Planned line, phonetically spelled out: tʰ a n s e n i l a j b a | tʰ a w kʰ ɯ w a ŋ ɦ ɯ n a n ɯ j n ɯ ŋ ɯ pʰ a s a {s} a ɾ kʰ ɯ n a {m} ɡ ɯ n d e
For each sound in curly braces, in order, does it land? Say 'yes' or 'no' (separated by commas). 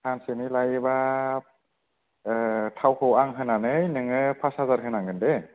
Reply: no, no